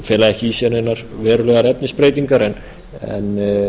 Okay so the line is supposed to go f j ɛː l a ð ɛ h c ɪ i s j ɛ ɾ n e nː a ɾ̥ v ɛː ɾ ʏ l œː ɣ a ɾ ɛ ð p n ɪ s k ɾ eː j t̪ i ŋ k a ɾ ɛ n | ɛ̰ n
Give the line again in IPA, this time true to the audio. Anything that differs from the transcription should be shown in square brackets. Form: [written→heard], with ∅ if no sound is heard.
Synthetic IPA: f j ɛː l a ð ɛ h c ɪ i s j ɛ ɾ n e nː a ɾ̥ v ɛː ɾ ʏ l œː ɣ a ɾ ɛ [ð→∅] p n ɪ s [k→p] ɾ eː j t̪ i ŋ k a ɾ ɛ n | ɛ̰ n